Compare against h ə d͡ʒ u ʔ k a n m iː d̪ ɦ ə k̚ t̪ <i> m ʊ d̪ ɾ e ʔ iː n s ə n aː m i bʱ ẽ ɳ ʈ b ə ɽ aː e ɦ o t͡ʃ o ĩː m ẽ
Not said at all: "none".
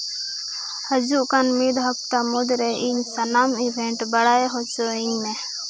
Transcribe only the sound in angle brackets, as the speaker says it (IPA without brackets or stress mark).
a